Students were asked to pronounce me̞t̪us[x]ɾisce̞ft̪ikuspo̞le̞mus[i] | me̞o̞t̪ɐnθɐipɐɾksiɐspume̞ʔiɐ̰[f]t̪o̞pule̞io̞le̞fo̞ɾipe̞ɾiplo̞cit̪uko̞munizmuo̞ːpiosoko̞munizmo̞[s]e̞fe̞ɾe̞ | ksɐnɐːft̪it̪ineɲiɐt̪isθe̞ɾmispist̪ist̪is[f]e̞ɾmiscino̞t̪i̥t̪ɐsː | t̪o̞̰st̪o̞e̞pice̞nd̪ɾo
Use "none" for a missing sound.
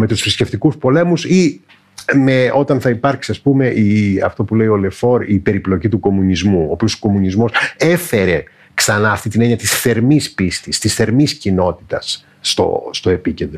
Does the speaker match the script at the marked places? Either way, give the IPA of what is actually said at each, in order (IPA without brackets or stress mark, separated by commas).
f, i, f, s, θ